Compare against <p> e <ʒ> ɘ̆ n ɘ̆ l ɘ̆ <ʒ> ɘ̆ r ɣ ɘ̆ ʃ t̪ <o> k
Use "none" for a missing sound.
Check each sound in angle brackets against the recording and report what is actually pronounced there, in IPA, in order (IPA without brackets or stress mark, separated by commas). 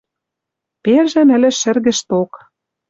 p, ʒ, ʃ, o